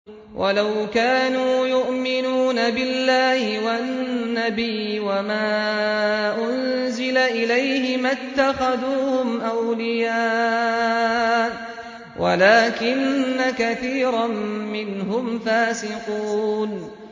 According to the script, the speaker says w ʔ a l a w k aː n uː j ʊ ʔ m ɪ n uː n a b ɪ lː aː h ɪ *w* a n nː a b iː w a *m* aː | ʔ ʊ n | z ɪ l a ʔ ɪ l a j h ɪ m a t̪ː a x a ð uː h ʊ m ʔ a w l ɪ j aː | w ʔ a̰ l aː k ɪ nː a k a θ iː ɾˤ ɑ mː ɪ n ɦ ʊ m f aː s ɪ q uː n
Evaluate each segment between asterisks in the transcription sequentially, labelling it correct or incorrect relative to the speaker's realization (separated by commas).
correct, correct